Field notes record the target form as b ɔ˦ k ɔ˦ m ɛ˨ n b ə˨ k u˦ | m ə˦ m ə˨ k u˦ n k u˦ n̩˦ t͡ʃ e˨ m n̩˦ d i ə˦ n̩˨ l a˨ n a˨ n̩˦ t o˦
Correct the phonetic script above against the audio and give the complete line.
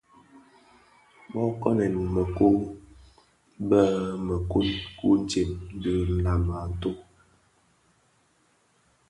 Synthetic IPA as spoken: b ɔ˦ k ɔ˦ n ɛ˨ n m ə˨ k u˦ | b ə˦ m ə˨ k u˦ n k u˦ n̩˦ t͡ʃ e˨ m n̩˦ d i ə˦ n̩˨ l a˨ m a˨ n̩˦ t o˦